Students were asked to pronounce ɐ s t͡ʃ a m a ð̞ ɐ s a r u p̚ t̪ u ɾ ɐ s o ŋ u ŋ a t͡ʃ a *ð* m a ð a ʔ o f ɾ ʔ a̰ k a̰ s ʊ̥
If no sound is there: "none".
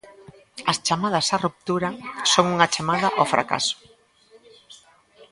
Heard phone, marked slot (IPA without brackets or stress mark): none